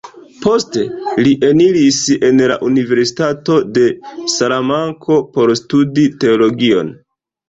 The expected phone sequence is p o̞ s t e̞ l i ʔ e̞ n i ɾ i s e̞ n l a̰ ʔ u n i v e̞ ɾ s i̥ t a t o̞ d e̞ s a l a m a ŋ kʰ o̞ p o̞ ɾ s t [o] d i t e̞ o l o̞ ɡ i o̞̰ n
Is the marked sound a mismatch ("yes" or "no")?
yes